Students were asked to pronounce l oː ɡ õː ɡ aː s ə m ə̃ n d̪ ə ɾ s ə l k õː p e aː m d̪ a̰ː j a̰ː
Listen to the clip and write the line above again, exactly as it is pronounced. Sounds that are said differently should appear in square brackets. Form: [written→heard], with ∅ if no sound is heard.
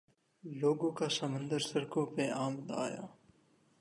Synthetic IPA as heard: l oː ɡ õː [ɡ→k] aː s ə m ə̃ n d̪ ə ɾ s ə [l→ɾ] k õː p e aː m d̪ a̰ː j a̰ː